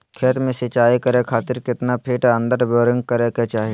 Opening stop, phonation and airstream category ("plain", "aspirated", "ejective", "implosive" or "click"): aspirated